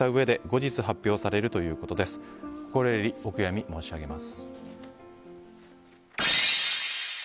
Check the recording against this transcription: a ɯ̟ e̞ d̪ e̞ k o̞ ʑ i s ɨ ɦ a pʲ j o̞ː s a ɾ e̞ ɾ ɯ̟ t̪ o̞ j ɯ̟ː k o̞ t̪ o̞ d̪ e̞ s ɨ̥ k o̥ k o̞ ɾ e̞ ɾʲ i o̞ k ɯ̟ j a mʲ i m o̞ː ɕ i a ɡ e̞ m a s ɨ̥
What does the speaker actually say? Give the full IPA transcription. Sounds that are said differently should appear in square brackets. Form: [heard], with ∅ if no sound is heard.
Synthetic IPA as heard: a ɯ̟ e̞ d̪ e̞ [ɡ] o̞ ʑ i [t͡s] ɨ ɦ a pʲ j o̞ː s a ɾ e̞ ɾ ɯ̟ t̪ o̞ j ɯ̟ː k o̞ t̪ o̞ d̪ e̞ s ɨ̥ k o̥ k o̞ ɾ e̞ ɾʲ i o̞ k ɯ̟ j a mʲ i m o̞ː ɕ i a ɡ e̞ m a s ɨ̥